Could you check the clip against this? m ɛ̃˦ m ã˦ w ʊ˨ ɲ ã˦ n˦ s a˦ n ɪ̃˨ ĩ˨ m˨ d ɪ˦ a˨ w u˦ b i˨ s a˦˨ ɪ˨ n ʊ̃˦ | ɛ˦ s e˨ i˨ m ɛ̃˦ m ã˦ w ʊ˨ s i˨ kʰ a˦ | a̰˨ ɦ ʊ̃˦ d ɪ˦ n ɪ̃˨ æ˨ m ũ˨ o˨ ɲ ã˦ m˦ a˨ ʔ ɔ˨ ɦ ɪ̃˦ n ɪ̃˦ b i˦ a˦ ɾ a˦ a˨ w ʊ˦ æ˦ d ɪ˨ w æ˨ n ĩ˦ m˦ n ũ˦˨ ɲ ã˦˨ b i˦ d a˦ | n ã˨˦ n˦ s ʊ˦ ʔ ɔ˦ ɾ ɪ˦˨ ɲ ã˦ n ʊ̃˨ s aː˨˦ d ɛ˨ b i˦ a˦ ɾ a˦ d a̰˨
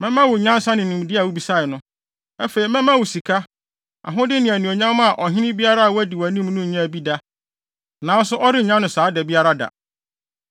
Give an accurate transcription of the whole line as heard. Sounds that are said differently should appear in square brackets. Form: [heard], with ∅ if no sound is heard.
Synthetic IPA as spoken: m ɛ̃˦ m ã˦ w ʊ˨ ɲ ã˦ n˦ s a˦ n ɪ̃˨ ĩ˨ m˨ d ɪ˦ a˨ w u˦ b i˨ s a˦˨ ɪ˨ n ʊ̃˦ | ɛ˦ [f] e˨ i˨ m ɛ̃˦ m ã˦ w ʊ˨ s i˨ kʰ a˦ | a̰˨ ɦ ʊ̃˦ d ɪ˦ n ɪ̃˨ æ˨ [n] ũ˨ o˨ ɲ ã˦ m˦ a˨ ʔ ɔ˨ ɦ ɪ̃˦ n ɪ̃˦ b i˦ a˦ ɾ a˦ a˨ w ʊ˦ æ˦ d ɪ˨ w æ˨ n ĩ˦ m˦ n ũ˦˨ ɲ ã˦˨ b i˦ d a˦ | n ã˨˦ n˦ s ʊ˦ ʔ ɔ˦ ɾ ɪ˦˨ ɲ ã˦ n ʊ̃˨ s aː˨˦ d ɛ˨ b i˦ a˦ ɾ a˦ d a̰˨

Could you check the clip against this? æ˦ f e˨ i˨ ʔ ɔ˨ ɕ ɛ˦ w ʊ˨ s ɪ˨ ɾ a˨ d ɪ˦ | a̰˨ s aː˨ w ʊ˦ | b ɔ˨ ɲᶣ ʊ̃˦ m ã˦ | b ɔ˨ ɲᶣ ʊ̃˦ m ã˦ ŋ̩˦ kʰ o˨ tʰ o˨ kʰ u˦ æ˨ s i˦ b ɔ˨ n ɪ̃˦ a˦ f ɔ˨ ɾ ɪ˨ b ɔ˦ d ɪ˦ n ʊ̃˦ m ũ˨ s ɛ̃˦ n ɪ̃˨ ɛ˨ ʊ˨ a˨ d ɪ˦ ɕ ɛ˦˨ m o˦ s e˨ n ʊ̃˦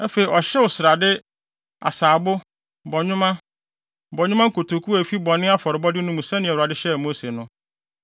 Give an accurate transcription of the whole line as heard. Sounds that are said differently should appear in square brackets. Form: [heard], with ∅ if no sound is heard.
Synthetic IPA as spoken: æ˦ f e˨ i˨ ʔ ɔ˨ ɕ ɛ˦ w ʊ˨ s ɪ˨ ɾ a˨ d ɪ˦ | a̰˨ s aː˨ [b] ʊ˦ | b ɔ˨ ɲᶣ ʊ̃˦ m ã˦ | b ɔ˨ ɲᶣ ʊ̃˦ m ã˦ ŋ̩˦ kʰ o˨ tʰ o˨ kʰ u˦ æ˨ [f] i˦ b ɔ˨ n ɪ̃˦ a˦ f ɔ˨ ɾ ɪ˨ b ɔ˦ d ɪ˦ n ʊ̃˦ m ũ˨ s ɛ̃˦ n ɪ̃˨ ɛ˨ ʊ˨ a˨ d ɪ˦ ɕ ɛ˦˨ m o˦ s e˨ n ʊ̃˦

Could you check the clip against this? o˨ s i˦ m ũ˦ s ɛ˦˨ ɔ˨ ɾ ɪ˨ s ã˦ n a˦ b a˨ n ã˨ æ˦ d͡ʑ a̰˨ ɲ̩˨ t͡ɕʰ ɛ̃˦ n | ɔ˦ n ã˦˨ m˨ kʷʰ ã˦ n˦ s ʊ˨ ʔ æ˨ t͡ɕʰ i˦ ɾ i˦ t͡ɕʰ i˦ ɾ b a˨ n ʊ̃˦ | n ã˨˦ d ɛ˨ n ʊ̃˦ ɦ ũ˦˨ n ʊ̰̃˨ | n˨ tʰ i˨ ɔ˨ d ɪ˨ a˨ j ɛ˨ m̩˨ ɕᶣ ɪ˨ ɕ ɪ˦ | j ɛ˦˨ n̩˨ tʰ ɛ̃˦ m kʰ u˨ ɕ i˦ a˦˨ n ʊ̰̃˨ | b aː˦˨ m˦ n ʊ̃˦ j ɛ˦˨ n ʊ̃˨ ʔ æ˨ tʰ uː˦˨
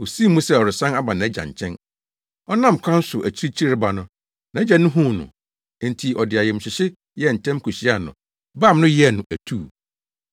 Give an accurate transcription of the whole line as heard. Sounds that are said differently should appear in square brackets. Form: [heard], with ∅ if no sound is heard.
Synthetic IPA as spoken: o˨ s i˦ m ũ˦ s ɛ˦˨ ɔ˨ ɾ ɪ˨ s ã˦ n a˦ b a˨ n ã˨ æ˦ d͡ʑ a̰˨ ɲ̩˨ t͡ɕʰ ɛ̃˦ n | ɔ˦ n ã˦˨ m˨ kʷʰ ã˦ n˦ s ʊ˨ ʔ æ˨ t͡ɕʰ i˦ ɾ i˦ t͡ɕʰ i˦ ɾ b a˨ n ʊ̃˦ | n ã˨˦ [d͡ʑ] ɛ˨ n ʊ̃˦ ɦ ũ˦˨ n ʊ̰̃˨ | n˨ tʰ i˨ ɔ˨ d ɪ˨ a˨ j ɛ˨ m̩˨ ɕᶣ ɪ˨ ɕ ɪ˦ | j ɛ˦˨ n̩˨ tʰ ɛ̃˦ m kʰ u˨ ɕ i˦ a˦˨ n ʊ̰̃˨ | b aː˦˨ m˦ n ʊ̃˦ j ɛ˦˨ n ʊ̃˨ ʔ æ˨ tʰ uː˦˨

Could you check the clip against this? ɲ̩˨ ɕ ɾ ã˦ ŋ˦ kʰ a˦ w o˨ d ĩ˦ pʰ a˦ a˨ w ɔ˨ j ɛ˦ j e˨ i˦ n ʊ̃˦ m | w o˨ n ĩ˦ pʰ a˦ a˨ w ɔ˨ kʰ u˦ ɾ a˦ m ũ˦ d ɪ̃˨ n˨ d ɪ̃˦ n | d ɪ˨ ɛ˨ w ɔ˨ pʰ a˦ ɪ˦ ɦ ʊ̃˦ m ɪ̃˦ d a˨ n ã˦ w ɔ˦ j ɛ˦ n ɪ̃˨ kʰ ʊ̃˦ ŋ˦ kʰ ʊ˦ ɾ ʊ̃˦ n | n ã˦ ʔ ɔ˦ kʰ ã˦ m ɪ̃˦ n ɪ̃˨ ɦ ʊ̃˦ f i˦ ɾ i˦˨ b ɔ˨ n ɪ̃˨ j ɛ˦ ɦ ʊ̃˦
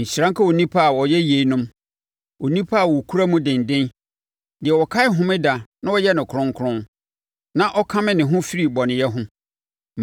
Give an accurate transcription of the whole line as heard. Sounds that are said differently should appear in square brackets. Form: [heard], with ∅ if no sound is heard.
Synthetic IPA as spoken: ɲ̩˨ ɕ ɾ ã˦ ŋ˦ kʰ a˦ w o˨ [n] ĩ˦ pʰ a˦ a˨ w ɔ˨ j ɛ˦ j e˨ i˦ n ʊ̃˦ m | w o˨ n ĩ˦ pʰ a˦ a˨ w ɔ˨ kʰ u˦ ɾ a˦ m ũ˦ d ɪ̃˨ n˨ d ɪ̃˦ n | d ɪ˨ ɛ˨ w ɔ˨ [kʰ] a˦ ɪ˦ ɦ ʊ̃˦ m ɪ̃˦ d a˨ n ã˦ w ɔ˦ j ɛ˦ n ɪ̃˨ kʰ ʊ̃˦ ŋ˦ kʰ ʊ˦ ɾ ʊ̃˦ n | n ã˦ ʔ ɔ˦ kʰ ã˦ m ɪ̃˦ n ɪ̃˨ ɦ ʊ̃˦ f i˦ ɾ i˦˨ b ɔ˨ n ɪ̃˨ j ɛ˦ ɦ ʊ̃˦

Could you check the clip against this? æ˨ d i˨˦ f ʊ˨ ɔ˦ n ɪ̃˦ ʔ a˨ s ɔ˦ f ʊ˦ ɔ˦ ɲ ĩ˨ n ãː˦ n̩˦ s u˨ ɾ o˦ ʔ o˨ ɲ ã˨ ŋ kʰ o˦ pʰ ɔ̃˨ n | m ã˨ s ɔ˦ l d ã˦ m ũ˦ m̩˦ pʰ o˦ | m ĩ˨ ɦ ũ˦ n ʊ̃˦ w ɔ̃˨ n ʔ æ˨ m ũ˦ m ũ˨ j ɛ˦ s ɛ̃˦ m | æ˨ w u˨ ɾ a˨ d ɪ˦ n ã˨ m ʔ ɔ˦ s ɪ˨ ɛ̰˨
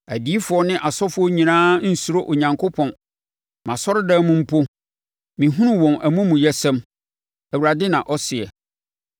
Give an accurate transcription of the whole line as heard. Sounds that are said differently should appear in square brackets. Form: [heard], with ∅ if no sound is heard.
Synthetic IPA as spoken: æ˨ d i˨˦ f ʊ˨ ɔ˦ n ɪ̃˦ ʔ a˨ s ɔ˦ f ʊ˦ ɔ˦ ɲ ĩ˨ n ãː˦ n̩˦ s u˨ ɾ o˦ ʔ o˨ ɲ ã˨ ŋ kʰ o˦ pʰ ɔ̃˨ n | m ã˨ s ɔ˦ [ɾ] d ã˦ m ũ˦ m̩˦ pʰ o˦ | m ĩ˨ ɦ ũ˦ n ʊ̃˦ w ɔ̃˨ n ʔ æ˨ m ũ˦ m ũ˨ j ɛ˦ s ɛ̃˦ m | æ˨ w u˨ ɾ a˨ d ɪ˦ n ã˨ [∅] ʔ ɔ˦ s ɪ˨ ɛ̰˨

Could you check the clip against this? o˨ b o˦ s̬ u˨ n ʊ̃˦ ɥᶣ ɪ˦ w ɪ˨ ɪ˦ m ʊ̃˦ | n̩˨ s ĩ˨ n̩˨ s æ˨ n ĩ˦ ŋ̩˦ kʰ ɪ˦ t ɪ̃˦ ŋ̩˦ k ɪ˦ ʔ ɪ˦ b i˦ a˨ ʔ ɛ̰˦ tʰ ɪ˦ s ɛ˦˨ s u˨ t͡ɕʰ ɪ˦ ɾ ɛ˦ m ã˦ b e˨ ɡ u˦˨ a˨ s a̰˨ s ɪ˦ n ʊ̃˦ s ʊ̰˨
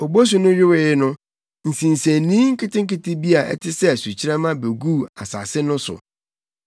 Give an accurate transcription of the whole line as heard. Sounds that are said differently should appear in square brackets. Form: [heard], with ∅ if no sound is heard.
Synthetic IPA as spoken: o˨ b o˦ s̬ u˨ n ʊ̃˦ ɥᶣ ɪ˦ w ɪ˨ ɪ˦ [n] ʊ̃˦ | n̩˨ s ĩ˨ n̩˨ s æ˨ n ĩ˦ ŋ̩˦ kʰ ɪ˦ t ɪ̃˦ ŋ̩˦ k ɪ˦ [t] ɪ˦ b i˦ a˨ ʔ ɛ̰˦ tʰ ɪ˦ s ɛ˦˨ s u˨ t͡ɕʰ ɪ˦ ɾ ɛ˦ m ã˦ b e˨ ɡ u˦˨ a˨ s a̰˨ s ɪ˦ n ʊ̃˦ s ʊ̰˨

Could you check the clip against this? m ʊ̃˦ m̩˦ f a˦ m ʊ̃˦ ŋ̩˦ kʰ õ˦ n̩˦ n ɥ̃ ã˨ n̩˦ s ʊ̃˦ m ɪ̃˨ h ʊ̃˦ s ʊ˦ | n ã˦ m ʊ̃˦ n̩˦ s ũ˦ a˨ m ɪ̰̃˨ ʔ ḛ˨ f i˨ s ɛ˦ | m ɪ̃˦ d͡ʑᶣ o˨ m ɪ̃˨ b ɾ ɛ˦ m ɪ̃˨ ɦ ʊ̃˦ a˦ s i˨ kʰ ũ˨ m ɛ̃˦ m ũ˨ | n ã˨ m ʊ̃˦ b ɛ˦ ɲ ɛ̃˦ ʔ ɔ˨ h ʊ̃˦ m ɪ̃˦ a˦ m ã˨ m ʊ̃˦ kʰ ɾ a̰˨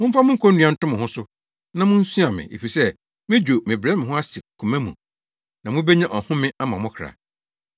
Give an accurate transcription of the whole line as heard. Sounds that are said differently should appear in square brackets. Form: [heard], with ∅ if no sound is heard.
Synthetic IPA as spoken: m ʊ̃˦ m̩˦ f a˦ m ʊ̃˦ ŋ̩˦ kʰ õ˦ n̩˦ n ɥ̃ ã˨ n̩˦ [t] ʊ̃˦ m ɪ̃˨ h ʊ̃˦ s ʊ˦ | n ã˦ m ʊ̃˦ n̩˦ s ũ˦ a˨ m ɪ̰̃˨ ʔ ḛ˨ f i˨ s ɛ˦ | m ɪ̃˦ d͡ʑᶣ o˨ m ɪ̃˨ b ɾ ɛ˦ m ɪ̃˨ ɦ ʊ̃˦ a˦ s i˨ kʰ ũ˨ m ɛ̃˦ m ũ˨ | n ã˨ m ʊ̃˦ b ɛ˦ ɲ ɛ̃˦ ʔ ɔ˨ h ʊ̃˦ m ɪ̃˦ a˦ m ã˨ m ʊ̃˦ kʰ ɾ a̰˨

